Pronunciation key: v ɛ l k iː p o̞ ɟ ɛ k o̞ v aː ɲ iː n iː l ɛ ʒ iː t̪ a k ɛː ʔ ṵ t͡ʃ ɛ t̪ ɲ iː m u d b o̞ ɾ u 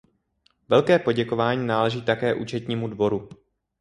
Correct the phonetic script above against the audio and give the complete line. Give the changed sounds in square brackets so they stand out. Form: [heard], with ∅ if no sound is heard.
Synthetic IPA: v ɛ l k [ɛː] p o̞ ɟ ɛ k o̞ v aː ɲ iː n [aː] l ɛ ʒ iː t̪ a k ɛː ʔ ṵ t͡ʃ ɛ t̪ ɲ iː m u d [v] o̞ ɾ u